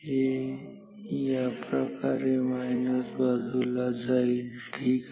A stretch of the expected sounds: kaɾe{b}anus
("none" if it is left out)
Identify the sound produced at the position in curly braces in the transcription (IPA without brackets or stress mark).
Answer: m